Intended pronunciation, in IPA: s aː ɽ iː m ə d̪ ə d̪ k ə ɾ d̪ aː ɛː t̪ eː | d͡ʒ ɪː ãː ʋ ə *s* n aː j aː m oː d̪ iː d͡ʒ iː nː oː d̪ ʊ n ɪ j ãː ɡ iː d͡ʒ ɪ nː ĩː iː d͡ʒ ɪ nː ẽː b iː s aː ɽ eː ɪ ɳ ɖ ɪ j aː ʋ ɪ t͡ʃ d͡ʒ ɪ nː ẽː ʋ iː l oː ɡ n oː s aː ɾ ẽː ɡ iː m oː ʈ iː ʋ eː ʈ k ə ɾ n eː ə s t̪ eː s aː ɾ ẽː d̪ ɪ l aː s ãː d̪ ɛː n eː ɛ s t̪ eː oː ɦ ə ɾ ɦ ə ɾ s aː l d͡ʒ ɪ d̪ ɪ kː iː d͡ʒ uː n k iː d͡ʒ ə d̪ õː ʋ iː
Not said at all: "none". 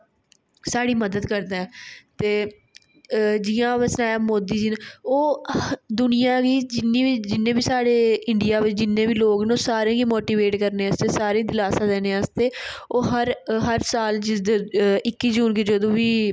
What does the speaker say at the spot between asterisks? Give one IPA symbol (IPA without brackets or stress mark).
s